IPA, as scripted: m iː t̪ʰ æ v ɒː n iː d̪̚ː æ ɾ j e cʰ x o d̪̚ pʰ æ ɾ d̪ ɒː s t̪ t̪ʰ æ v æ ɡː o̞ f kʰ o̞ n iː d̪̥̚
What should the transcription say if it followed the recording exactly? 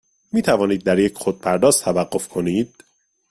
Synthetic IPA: m iː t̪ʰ æ v ɒː n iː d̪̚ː æ ɾ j e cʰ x o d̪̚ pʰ æ ɾ d̪ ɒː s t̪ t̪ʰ æ v æ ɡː o̞ f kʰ o̞ n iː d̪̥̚